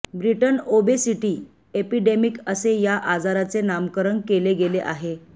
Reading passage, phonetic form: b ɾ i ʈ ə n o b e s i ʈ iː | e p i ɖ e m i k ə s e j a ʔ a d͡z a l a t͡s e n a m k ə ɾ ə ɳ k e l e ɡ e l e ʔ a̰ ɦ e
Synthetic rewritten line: b ɾ i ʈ ə n o b e s i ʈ iː | e p i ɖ e m i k ə s e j a ʔ a d͡z a ɾ a t͡s e n a m k ə ɾ ə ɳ k e l e ɡ e l e ʔ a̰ ɦ e

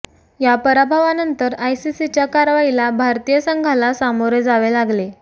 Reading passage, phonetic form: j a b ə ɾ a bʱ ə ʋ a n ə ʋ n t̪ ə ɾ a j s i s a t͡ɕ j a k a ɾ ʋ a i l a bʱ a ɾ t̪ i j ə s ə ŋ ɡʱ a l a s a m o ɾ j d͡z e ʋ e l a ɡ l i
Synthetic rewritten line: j a p ə ɾ a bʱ a ʋ a n ə n t̪ ə ɾ a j s i s i t͡ɕ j a k a ɾ ʋ a i l a bʱ a ɾ t̪ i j ə s ə ŋ ɡʱ a l a s a m o ɾ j d͡z a ʋ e l a ɡ l e

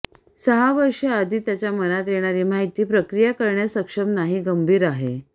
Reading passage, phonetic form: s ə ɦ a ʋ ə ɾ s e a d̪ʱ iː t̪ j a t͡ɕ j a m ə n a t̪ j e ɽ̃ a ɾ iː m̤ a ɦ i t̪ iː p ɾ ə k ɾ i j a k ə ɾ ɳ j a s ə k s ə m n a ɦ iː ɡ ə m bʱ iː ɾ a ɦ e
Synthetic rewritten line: s ə ɦ a ʋ ə ɾ ʂ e a d̪ʱ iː t̪ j a t͡ɕ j a m ə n a t̪ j e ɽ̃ a ɾ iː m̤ a ɦ i t̪ iː p ɾ ə k ɾ i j a k ə ɾ ɳ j a s ə k ʂ ə m n a ɦ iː ɡ ə m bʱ iː ɾ a ɦ e

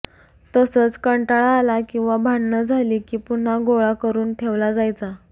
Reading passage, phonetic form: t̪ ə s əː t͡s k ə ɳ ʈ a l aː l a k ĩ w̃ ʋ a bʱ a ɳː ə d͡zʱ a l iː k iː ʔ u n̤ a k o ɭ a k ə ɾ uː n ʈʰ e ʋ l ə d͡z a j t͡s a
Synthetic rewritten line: t̪ ə s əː t͡s k ə ɳ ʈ a ɭ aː l a k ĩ w̃ ʋ a bʱ a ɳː ə d͡zʱ a l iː k iː p u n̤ a ɡ o ɭ a k ə ɾ uː n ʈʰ e ʋ l a d͡z a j t͡s a

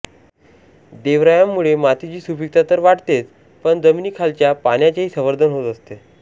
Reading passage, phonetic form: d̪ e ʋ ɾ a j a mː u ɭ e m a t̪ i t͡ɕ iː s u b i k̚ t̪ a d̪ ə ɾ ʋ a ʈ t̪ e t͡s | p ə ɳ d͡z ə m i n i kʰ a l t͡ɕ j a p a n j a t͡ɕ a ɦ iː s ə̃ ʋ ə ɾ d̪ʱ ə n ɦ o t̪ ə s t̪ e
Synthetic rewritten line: d̪ e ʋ ɾ a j a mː u ɭ e m a t̪ i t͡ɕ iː s u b i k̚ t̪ a t̪ ə ɾ ʋ a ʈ t̪ e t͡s | p ə ɳ d͡z ə m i n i kʰ a l t͡ɕ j a p a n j a t͡ɕ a ɦ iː s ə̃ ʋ ə ɾ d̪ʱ ə n ɦ o t̪ ə s t̪ e

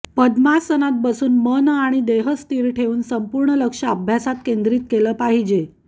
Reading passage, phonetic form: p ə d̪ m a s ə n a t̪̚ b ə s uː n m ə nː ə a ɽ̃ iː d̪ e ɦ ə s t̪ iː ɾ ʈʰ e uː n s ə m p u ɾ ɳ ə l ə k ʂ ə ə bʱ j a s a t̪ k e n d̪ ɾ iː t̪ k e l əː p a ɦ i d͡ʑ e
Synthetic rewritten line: p ə d̪ m a s ə n a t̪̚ b ə s uː n m ə n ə a ɽ̃ i d̪ e ɦ ə s t̪ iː ɾ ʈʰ e uː n s ə m p u ɾ ɳ ə l ə k ʂ ə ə bʱ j a s a t̪ k e n d̪ ɾ iː t̪ k e l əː p a ɦ i d͡ʑ e

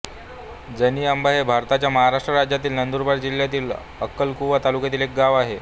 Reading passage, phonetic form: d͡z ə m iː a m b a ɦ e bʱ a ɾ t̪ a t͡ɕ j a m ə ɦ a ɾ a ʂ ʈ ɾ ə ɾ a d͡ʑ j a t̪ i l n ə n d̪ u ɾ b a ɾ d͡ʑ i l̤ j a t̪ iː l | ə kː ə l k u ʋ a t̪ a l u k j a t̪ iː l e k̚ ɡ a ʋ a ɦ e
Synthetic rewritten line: d͡z ə n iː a m b a ɦ e bʱ a ɾ t̪ a t͡ɕ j a m ə ɦ a ɾ a ʂ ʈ ɾ ə ɾ a d͡ʑ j a t̪ iː l n ə n d̪ u ɾ b a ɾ d͡ʑ i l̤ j a t̪ iː l | ə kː ə l k u ʋ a t̪ a l u k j a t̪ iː l e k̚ ɡ a ʋ a ɦ e

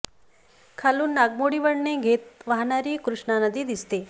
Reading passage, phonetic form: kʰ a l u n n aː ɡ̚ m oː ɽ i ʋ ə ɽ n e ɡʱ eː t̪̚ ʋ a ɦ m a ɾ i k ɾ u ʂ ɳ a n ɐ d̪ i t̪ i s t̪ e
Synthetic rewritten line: kʰ a l u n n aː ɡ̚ m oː ɽ i ʋ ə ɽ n e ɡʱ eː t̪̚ ʋ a ɦ n a ɾ i k ɾ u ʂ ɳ a n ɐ d̪ i d̪ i s t̪ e

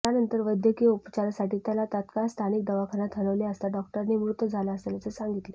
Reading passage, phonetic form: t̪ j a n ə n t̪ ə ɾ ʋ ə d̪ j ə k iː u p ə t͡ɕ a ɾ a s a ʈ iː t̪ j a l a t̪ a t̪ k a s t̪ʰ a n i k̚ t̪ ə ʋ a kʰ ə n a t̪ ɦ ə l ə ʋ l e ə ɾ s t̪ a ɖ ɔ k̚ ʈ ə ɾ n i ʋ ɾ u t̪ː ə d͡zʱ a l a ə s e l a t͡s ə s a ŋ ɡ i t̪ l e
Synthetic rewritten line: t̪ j a n ə n t̪ ə ɾ ʋ ə d̪ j ə k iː u p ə t͡ɕ a ɾ a s a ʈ iː t̪ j a l a t̪ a t̪ k a s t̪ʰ a n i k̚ d̪ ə ʋ a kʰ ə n a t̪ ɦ ə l ə ʋ l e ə s t̪ a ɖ ɔ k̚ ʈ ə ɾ n i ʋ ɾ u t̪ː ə d͡zʱ a l a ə s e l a t͡s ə s a ŋ ɡ i t̪ l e

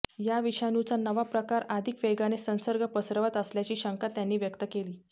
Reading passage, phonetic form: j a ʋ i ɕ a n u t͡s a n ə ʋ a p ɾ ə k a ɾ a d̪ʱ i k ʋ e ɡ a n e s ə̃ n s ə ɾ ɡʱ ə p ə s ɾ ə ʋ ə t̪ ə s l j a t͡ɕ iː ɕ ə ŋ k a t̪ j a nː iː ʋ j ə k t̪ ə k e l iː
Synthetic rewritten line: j a ʋ i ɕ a n u t͡s a n ə ʋ a p ɾ ə k a ɾ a d̪ʱ i k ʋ e ɡ a n e s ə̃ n s ə ɾ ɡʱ ə p ə s ɾ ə ʋ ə t̪ ə s l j a t͡ɕ iː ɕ ə ŋ k a t̪ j a nː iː ʋ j ə k t̪ ə k e l iː

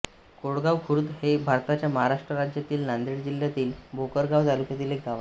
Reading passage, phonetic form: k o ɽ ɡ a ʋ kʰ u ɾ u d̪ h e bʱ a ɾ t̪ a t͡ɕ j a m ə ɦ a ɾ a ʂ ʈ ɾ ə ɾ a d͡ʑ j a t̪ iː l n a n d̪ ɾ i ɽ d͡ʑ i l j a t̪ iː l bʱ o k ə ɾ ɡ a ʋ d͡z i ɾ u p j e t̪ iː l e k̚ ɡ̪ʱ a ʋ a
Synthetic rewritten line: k o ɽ ɡ a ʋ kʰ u ɾ u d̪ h e bʱ a ɾ t̪ a t͡ɕ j a m ə ɦ a ɾ a ʂ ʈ ɾ ə ɾ a d͡ʑ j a t̪ iː l n a n d̪ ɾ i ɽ d͡ʑ i l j a t̪ iː l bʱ o k ə ɾ ɡ a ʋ d͡z a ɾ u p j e t̪ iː l e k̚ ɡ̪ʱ a ʋ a

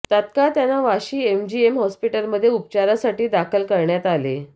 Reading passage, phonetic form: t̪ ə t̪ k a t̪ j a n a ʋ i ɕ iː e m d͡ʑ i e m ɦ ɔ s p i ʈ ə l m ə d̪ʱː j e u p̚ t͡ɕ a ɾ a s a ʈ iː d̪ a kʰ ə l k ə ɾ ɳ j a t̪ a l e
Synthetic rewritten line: t̪ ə t̪ k a t̪ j a n a ʋ a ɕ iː e m d͡ʑ i e m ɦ ɔ s p i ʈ ə l m ə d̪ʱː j e u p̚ t͡ɕ a ɾ a s a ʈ iː d̪ a kʰ ə l k ə ɾ ɳ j a t̪ a l e

